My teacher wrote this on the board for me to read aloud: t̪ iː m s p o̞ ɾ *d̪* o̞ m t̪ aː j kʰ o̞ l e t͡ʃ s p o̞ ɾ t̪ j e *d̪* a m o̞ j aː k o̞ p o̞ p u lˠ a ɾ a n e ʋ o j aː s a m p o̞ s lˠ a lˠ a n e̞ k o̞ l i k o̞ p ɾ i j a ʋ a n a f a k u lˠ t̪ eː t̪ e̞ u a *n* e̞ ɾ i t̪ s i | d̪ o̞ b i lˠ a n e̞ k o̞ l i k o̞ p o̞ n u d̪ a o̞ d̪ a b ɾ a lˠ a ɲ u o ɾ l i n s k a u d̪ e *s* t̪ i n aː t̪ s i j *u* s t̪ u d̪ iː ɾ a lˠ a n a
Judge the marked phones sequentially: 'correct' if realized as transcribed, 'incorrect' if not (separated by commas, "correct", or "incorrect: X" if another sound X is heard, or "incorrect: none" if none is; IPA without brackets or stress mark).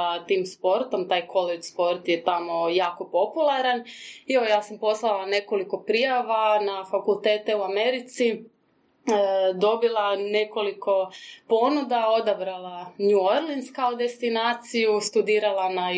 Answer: incorrect: t̪, incorrect: t̪, incorrect: m, correct, correct